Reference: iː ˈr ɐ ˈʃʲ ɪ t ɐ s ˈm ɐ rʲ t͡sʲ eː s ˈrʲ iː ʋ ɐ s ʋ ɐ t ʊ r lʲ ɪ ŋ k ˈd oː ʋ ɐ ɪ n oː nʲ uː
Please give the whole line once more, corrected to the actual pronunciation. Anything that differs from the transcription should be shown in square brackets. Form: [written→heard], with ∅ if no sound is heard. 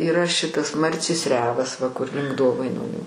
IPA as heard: iː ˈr ɐ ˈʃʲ ɪ t ɐ s ˈm ɐ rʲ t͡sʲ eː s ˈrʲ [iː→æː] ʋ ɐ s ʋ ɐ [t→k] ʊ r lʲ ɪ ŋ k ˈd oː ʋ ɐ ɪ n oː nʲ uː